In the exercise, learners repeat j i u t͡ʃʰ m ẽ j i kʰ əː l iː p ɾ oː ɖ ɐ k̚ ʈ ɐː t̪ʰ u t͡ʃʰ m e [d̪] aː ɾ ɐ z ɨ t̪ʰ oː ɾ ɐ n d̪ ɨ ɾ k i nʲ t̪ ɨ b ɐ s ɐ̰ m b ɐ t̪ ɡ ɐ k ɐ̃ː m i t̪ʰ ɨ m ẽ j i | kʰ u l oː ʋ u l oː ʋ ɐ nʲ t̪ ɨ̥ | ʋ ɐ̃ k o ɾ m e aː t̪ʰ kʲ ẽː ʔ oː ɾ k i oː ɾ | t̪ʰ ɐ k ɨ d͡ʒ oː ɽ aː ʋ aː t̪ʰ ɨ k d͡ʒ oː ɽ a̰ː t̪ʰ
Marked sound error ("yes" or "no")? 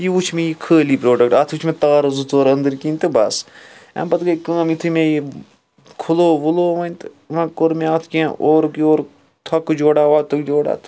yes